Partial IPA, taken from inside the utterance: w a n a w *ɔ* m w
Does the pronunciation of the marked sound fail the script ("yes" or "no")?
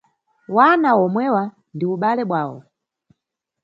no